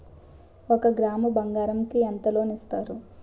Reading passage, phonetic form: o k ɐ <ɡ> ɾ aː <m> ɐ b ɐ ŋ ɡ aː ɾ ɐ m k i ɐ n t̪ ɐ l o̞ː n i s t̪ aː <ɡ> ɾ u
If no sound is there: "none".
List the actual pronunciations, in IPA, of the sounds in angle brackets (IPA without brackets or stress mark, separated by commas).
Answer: ɡ, m, none